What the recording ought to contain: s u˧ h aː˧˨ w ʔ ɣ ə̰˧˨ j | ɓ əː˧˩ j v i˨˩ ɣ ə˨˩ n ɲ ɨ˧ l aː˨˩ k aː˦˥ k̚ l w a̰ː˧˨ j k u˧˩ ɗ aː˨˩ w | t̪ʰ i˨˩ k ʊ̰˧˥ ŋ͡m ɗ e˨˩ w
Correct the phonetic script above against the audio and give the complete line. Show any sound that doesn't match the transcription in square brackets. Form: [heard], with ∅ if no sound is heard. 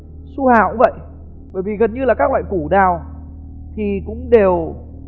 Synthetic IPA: s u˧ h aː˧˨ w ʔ [v] ə̰˧˨ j | ɓ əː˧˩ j v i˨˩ ɣ ə˨˩ n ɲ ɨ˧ l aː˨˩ k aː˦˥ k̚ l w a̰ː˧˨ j k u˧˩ ɗ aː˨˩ w | t̪ʰ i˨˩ k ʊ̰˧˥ ŋ͡m ɗ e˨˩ w

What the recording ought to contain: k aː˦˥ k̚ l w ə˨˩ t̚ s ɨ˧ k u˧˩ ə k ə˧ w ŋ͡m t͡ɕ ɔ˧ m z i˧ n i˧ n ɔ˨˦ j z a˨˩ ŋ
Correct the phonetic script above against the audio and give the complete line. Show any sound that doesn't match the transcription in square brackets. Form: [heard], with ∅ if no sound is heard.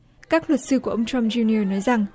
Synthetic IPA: k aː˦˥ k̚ l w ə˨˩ t̚ s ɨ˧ k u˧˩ ə [ʔ] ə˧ w ŋ͡m t͡ɕ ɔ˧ m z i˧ n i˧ n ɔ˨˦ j z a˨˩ ŋ

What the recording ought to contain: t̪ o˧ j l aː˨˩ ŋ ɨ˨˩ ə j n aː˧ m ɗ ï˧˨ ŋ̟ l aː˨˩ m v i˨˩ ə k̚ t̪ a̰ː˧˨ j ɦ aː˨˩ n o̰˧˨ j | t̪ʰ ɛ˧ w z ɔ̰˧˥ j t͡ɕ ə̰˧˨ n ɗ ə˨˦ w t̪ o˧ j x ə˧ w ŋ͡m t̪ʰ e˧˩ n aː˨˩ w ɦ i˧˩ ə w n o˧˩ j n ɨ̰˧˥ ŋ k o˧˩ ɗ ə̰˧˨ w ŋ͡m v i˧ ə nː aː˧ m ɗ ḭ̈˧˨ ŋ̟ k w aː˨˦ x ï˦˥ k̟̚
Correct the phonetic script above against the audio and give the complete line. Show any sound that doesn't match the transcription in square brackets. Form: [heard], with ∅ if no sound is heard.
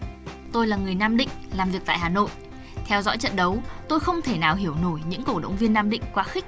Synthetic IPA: t̪ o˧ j l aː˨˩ ŋ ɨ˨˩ ə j n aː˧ m ɗ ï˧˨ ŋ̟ l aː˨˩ m v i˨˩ ə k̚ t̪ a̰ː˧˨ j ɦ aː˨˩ n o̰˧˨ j | t̪ʰ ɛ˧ w z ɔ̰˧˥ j t͡ɕ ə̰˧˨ n ɗ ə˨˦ w t̪ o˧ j x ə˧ w ŋ͡m t̪ʰ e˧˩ n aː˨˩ w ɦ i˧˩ ə w n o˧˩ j [ɲ] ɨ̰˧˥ ŋ k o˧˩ ɗ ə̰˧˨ w ŋ͡m v i˧ ə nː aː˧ m ɗ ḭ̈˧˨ ŋ̟ k w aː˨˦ x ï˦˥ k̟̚

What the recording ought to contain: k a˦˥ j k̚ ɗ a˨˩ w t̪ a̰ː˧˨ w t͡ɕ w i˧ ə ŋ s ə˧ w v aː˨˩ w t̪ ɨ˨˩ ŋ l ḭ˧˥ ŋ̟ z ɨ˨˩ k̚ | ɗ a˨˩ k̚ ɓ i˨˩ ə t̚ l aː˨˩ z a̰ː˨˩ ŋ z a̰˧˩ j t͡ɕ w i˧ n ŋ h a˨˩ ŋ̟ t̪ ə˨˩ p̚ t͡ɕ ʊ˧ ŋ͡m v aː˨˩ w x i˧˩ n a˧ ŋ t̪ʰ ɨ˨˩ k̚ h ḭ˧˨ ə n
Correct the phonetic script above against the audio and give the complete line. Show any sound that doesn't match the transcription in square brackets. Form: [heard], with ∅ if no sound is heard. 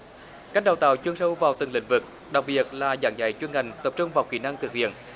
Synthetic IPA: k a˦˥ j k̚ ɗ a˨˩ w t̪ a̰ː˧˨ w t͡ɕ w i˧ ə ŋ s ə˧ w v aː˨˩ w t̪ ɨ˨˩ ŋ l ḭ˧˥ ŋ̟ [v] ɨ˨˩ k̚ | ɗ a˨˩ k̚ ɓ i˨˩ ə t̚ l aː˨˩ z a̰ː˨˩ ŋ z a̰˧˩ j t͡ɕ w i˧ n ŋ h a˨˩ ŋ̟ t̪ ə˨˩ p̚ t͡ɕ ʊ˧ ŋ͡m v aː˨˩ w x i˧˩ n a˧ ŋ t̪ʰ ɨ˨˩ k̚ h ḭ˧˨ ə n

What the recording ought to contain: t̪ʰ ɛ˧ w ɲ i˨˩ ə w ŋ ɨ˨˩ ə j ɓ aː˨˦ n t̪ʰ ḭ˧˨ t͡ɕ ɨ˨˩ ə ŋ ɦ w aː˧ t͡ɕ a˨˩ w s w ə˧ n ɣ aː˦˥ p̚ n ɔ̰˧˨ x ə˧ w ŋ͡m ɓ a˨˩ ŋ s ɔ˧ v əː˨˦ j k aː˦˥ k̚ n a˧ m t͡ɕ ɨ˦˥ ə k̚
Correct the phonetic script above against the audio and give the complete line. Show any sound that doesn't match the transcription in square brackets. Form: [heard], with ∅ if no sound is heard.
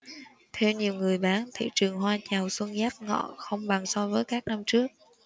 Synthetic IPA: t̪ʰ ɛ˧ w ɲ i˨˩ ə w ŋ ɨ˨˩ ə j ɓ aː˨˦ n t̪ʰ ḭ˧˨ t͡ɕ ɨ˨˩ ə ŋ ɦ w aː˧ t͡ɕ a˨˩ w s w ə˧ n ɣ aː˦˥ p̚ [ŋ] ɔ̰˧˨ x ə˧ w ŋ͡m ɓ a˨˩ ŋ s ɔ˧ v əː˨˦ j k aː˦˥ k̚ n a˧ m t͡ɕ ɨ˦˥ ə k̚

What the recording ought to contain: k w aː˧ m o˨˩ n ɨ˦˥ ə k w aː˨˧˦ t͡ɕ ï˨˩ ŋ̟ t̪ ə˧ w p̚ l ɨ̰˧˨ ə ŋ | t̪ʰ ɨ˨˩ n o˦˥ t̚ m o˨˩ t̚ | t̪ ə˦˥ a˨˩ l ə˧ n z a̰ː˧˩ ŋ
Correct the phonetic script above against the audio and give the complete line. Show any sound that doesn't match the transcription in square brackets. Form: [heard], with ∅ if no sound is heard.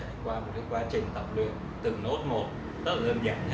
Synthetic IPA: k w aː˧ m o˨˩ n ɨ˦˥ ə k w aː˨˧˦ t͡ɕ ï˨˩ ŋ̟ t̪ [ə˨˩] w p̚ l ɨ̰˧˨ ə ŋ | [t̪] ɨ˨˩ n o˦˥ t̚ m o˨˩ t̚ | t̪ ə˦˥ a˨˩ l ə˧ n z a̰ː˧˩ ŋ

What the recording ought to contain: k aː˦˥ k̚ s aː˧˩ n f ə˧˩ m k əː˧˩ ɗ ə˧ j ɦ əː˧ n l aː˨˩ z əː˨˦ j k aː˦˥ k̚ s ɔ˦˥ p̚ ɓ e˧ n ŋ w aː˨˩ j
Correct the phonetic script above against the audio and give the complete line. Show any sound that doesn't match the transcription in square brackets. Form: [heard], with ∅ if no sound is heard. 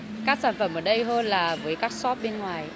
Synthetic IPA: k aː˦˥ k̚ s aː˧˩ n f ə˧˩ m [ʔ] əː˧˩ ɗ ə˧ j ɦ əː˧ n l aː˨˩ [v] əː˨˦ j k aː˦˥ k̚ s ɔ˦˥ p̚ ɓ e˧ n ŋ w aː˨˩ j

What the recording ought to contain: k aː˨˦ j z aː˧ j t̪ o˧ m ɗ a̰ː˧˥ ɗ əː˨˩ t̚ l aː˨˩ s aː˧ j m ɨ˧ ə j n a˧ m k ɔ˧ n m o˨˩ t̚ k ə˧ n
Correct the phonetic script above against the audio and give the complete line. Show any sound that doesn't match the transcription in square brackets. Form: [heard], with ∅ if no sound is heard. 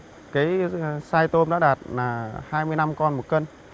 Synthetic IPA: k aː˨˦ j [s] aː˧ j t̪ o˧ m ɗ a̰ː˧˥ ɗ [aː˨˩] t̚ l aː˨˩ [h] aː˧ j m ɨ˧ ə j n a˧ m k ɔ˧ n m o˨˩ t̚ k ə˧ n

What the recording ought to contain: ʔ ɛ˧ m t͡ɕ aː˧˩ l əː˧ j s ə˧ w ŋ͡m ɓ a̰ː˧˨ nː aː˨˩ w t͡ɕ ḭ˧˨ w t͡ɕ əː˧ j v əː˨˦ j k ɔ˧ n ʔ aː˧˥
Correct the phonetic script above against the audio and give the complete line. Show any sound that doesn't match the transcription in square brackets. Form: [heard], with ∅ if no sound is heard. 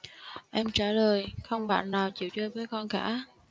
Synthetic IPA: ʔ ɛ˧ m t͡ɕ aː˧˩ l [əː˨˩] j [x] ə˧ w ŋ͡m ɓ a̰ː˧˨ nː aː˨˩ w t͡ɕ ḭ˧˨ w t͡ɕ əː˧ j v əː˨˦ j k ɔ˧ n [k] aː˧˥

